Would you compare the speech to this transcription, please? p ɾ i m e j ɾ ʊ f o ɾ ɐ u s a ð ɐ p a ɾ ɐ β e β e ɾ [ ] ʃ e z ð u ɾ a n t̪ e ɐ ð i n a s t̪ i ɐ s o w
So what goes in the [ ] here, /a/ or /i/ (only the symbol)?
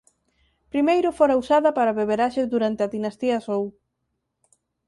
a